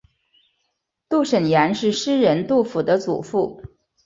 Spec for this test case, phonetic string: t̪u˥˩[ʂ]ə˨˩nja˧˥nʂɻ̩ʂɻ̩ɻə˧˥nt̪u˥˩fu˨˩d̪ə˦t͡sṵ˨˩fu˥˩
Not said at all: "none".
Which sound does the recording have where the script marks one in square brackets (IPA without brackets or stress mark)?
ʂ